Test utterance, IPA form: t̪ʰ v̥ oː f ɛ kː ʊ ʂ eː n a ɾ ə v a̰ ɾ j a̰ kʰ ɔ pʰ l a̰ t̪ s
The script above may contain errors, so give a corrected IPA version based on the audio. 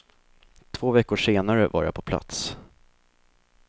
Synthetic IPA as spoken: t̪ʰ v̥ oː v ɛ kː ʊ ʂ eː n a ɾ ə v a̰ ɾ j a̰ pʰ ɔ pʰ l a̰ t̪ s